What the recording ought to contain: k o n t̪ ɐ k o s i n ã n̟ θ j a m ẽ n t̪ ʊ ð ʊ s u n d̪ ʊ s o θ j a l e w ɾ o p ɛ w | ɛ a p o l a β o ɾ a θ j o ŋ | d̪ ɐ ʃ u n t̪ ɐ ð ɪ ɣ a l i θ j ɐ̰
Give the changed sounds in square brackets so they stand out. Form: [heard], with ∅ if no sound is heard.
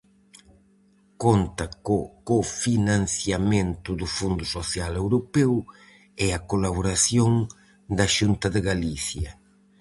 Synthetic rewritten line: k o n t̪ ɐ k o [f] i n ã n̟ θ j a m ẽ n t̪ ʊ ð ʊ [f] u n d̪ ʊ s o θ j a l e w ɾ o p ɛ w | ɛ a [k] o l a β o ɾ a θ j o ŋ | d̪ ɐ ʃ u n t̪ ɐ ð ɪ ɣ a l i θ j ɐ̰